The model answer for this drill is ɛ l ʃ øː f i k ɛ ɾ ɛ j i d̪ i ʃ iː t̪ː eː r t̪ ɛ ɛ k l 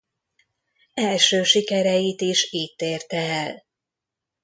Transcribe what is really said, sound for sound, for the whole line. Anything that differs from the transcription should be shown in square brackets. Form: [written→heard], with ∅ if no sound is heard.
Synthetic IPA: ɛ l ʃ øː [f→ʃ] i k ɛ ɾ ɛ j i [d̪→t̪] i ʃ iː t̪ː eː r t̪ ɛ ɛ [k→∅] l